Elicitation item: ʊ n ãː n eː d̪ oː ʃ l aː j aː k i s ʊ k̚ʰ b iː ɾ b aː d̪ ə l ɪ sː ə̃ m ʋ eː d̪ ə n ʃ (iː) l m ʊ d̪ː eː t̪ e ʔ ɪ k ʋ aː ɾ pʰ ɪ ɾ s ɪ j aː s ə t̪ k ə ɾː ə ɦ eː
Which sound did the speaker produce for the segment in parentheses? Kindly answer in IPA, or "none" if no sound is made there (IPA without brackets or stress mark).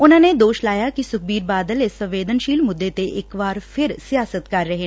iː